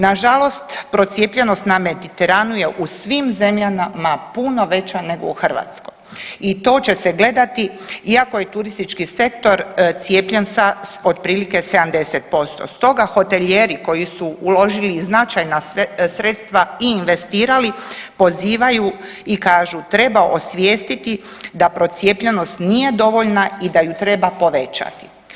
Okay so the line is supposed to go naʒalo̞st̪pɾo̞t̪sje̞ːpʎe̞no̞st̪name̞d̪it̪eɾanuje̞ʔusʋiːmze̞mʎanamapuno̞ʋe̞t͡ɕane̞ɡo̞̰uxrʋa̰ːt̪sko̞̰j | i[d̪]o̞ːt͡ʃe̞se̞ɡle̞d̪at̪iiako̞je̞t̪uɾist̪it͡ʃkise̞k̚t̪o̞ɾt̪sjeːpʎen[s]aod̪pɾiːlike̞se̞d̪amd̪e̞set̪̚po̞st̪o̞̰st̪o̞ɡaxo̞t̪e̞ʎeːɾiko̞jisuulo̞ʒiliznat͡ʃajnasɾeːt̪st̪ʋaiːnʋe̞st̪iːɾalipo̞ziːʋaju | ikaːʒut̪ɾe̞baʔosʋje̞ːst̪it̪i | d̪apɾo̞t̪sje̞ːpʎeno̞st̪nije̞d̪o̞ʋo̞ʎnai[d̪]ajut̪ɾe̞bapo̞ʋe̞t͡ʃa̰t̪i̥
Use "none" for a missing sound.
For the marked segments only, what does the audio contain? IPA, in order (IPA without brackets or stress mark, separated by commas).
t̪, s, d̪